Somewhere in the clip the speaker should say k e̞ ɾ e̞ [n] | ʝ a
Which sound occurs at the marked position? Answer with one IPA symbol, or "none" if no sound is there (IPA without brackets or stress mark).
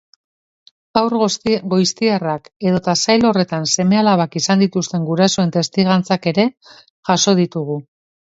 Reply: none